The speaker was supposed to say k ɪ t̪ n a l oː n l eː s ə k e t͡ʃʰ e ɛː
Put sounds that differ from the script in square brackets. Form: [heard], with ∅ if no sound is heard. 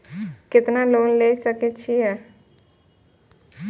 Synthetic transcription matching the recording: k ɪ t̪ n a l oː n l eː s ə k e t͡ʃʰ [i] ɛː